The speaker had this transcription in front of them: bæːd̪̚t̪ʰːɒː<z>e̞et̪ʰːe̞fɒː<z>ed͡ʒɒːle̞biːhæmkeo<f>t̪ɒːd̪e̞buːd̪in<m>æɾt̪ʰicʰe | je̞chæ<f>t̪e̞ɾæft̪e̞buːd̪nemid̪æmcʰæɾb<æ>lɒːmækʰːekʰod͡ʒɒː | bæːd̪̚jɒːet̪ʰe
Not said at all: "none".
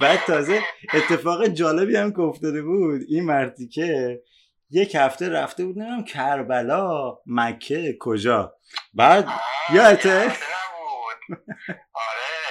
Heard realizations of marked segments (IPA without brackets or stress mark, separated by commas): z, ɣ, f, m, f, æ